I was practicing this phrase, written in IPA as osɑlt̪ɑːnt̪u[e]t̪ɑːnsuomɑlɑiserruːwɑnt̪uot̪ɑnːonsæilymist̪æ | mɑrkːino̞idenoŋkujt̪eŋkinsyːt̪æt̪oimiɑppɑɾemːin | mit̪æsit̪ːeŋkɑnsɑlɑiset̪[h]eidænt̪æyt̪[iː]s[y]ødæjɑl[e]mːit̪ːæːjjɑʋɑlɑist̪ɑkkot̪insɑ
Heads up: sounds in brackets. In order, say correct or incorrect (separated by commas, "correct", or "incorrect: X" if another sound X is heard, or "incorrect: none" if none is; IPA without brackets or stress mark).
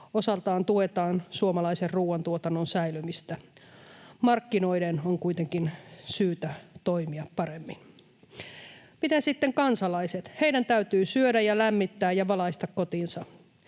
correct, correct, incorrect: yː, correct, incorrect: æ